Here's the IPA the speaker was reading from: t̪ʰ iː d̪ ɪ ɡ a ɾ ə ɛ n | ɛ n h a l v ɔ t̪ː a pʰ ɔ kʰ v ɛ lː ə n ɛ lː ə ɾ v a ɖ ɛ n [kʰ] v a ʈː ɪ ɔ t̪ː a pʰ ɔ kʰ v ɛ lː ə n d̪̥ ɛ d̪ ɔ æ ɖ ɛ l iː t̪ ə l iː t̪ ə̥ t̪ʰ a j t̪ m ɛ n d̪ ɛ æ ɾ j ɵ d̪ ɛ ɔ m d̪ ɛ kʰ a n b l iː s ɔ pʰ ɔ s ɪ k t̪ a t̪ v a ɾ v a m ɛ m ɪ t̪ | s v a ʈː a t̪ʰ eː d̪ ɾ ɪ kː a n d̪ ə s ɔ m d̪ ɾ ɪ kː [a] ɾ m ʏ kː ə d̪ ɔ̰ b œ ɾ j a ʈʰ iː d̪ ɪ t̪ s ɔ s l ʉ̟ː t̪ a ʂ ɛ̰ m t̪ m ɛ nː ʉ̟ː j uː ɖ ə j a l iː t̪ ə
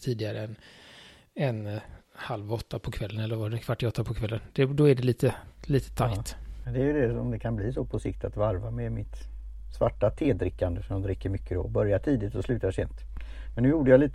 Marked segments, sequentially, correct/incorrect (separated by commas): correct, incorrect